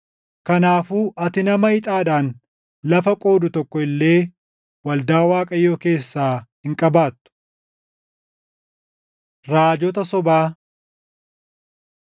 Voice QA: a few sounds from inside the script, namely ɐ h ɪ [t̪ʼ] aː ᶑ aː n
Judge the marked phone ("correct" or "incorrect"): correct